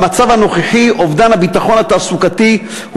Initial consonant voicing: voiced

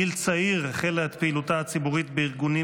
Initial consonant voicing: voiced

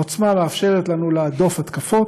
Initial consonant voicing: voiceless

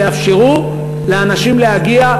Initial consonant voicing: voiceless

